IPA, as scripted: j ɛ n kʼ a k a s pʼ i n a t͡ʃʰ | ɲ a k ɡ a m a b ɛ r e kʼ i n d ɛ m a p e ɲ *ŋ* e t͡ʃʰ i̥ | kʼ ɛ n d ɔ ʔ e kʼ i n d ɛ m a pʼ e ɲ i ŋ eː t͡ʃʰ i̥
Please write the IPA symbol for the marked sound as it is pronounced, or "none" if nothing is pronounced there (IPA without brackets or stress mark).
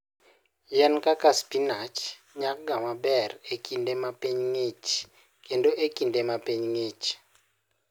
ŋ